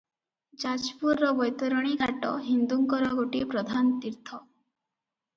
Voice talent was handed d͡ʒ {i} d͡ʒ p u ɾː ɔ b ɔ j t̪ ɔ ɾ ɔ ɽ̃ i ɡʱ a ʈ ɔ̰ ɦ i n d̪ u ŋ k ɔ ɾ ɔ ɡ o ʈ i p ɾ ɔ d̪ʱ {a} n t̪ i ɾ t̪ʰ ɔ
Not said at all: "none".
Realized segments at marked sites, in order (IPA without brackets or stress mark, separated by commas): a, a